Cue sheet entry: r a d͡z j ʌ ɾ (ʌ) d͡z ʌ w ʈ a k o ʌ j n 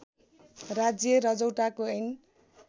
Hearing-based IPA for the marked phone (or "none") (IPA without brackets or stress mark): ʌ